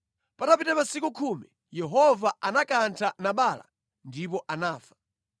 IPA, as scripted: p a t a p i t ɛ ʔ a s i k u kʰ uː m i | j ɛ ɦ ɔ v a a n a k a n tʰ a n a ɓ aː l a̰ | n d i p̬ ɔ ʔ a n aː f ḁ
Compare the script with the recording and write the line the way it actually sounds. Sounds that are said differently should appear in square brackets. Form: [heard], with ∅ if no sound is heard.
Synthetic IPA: p a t a p i t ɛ [p] a s i k u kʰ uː m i | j ɛ ɦ ɔ v a a n a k a n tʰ a n a ɓ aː l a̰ | n d i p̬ ɔ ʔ a n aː f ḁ